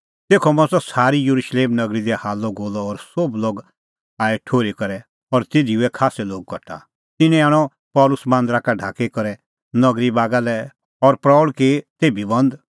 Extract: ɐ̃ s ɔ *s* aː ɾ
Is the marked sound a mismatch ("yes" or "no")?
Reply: no